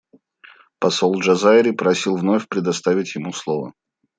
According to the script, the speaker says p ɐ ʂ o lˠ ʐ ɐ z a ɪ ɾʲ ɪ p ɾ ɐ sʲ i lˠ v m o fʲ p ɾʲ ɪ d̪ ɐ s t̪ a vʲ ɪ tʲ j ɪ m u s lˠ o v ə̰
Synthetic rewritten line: p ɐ s o lˠ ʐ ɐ z a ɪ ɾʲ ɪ p ɾ ɐ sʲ i lˠ v n o fʲ p ɾʲ ɪ d̪ ɐ s t̪ a vʲ ɪ tʲ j ɪ m u s lˠ o v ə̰

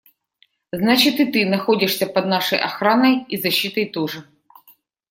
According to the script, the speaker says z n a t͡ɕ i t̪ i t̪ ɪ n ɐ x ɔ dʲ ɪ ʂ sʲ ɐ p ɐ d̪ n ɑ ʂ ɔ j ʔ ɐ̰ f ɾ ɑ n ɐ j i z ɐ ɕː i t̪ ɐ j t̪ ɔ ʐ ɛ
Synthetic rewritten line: z n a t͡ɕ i t̪ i t̪ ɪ n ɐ x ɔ dʲ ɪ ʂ sʲ ɐ p ɐ d̪ n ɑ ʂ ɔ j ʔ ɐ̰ x ɾ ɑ n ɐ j i z ɐ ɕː i t̪ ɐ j t̪ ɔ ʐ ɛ

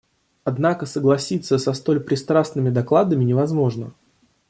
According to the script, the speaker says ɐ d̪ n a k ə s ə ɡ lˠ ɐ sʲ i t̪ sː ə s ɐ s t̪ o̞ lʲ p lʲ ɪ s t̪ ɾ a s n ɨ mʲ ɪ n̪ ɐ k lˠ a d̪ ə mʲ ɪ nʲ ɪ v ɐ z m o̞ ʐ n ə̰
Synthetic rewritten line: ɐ d̪ n a k ə s ə ɡ lˠ ɐ sʲ i t̪ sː ə s ɐ s t̪ o̞ lʲ p ɾʲ ɪ s t̪ ɾ a s n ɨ mʲ ɪ d̪ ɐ k lˠ a d̪ ə mʲ ɪ nʲ ɪ v ɐ z m o̞ ʐ n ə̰

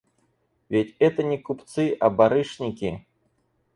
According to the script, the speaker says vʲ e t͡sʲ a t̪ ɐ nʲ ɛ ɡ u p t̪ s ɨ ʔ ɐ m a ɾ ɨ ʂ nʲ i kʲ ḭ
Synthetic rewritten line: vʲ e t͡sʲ ɛ t̪ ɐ nʲ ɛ k u p t̪ s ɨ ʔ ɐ b a ɾ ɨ ʂ nʲ i kʲ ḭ

